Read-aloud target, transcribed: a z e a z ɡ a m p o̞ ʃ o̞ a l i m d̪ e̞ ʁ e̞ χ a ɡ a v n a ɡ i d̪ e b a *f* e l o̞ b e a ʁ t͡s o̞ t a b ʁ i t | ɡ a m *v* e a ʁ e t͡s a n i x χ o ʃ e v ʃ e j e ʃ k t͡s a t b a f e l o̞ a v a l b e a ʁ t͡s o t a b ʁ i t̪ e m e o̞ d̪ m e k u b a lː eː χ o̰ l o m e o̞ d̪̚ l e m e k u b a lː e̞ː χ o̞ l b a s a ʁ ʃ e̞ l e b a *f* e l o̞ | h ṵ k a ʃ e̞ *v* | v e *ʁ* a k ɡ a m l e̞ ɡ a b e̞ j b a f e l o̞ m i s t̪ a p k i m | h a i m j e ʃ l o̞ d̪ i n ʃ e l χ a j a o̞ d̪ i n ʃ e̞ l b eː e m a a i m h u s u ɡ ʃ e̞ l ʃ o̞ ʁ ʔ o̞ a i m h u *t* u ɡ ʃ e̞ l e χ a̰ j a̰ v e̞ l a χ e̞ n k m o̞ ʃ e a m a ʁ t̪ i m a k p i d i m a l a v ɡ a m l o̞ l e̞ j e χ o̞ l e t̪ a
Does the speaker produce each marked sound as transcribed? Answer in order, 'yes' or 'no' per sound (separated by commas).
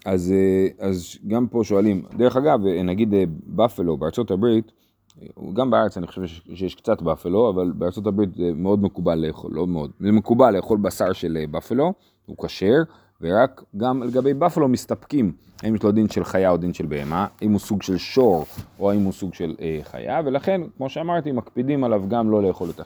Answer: yes, no, yes, no, yes, no